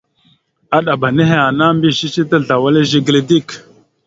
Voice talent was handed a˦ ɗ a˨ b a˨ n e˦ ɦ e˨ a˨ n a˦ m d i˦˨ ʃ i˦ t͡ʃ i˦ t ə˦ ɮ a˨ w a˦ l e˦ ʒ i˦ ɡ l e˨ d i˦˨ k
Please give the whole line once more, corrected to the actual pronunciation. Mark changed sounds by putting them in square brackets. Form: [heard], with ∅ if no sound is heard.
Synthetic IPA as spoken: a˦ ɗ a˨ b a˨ n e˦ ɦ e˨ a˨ n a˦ m [b] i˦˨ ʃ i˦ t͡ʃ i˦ t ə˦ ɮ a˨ w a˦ l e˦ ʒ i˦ ɡ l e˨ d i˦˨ k